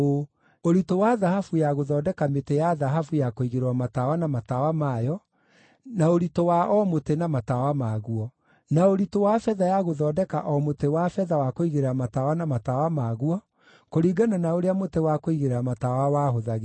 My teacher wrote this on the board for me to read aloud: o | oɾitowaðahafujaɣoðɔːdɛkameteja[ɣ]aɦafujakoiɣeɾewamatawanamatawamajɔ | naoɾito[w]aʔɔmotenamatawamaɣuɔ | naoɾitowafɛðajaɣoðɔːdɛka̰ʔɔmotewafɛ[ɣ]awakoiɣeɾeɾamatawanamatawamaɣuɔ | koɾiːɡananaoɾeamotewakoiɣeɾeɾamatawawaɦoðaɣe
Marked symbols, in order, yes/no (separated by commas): no, yes, no